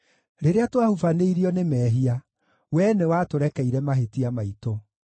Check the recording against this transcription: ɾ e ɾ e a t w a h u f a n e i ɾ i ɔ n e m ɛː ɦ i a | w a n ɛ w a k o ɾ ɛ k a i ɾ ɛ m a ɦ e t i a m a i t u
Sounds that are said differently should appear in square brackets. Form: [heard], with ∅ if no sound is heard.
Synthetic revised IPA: ɾ e ɾ e a t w a h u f a n e i ɾ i ɔ n e m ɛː ɦ i a | w [ɛ] n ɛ w a [t] o ɾ ɛ k [ɛ] i ɾ ɛ m a ɦ e t i a m a i t [o]